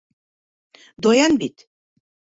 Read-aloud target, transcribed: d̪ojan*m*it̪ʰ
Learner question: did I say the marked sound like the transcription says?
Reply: no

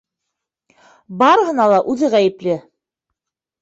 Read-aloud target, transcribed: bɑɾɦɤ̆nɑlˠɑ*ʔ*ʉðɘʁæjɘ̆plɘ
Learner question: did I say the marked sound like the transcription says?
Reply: yes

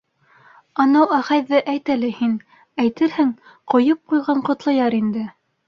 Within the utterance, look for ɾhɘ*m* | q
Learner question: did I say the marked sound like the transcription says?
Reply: no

